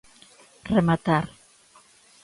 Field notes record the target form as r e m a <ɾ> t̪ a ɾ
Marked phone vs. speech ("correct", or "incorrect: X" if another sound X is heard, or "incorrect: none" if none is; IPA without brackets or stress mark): incorrect: none